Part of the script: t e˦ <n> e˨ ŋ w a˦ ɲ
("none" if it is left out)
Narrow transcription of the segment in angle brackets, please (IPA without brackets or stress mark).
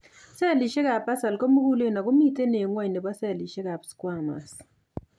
n